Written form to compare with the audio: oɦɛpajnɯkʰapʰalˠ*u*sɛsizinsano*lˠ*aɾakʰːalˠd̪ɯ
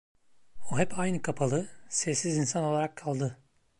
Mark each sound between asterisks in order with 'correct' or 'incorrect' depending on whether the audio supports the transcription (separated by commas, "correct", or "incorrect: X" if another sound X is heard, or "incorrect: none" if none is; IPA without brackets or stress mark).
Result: incorrect: ɯ, correct